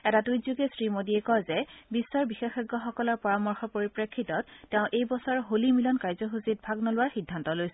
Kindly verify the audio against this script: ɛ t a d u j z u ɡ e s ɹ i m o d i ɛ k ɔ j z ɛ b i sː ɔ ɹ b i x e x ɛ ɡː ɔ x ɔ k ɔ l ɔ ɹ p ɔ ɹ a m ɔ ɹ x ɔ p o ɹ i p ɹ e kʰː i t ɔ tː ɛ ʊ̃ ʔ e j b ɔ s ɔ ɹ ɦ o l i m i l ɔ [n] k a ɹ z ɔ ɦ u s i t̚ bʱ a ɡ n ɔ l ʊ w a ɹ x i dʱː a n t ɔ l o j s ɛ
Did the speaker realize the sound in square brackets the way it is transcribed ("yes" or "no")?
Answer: yes